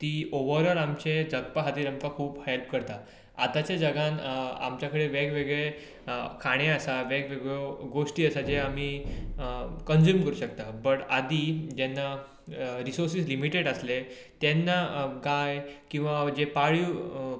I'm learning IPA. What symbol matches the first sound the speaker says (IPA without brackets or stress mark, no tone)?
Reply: t̪